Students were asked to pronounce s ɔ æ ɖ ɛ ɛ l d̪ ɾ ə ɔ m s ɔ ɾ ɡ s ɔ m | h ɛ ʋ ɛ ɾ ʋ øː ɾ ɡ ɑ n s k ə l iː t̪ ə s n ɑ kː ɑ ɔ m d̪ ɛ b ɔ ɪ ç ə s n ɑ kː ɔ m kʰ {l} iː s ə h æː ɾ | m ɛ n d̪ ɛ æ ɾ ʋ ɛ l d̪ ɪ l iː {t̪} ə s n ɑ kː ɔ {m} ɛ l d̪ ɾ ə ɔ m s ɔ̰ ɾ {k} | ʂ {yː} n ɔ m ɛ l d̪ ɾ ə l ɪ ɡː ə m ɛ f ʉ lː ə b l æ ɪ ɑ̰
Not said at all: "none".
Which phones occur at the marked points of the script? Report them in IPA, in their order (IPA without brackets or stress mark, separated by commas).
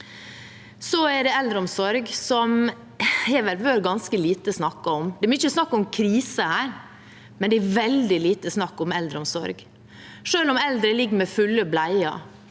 ɾ, t̪, m, ɡ, øː